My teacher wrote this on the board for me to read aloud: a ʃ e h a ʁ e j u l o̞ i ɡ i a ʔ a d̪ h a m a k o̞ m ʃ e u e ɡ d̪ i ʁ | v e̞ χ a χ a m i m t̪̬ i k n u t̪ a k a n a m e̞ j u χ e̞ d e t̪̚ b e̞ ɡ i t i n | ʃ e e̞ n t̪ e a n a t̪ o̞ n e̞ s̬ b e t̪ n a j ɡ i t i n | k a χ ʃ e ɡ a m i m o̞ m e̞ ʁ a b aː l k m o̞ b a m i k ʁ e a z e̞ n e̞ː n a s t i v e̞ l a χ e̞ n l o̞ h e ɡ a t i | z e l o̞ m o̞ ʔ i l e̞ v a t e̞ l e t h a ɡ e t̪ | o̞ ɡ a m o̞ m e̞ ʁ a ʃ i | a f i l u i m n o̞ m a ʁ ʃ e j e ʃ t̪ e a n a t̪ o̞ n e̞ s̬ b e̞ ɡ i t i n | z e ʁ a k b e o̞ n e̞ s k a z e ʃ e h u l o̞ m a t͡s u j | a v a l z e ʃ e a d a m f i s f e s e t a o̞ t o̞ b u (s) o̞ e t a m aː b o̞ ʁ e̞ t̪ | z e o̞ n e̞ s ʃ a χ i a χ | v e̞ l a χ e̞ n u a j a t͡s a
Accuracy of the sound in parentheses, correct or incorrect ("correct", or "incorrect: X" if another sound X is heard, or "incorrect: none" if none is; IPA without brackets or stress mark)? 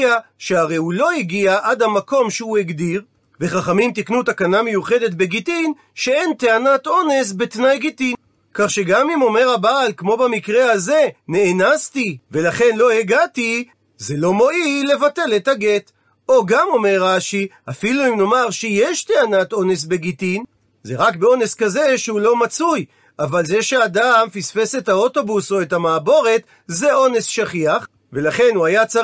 correct